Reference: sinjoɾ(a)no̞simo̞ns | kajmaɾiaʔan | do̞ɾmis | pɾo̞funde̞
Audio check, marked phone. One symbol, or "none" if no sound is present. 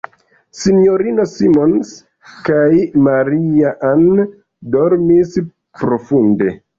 i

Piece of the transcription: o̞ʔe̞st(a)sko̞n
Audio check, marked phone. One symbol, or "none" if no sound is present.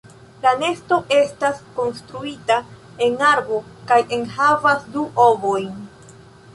a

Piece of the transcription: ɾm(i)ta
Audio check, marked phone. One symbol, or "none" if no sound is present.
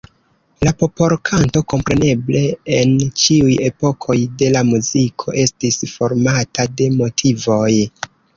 a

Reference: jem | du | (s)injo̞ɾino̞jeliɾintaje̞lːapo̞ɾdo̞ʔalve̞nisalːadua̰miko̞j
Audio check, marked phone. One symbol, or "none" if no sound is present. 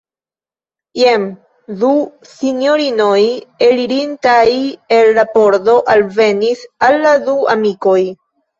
s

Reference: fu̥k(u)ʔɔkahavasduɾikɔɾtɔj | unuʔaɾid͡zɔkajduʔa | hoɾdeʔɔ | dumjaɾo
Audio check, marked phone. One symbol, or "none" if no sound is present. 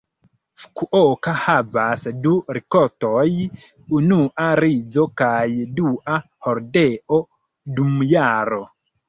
u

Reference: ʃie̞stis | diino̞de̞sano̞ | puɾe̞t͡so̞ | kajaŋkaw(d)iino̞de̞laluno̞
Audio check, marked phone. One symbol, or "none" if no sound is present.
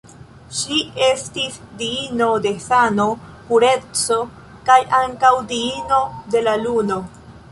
d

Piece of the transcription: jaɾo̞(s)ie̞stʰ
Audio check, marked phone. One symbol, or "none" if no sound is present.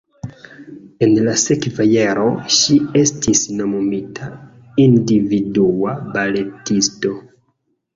ʃ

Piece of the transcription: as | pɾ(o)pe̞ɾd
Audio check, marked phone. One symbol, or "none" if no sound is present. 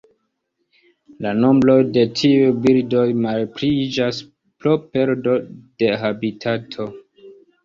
o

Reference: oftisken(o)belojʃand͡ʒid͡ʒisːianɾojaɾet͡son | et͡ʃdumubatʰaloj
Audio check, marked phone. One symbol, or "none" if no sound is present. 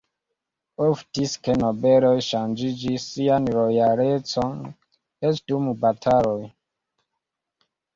o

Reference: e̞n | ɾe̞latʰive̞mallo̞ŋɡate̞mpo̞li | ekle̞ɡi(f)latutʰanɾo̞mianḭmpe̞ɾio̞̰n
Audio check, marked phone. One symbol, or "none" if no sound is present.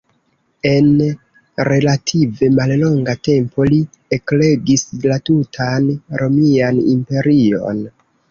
s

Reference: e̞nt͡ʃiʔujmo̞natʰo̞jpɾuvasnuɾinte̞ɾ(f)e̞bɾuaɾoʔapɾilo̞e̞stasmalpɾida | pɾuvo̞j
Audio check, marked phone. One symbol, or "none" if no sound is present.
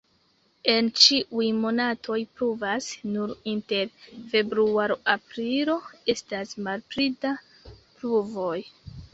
f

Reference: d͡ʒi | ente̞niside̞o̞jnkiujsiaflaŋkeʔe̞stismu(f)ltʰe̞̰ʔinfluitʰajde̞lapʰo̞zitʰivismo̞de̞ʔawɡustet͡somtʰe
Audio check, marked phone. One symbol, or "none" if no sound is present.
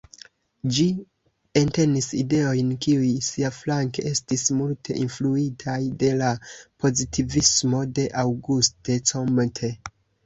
none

